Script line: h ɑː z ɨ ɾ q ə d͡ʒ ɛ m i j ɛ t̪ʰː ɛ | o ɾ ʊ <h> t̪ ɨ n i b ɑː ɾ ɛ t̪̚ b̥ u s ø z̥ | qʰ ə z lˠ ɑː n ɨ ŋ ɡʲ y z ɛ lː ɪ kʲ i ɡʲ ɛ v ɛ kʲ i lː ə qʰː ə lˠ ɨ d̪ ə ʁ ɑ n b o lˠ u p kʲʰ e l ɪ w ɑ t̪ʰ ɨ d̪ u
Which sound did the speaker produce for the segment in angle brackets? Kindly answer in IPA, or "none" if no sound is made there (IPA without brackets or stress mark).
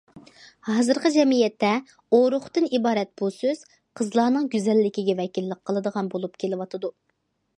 χ